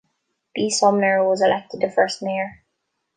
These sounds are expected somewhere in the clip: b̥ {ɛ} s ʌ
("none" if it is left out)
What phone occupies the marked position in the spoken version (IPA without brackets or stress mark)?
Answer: i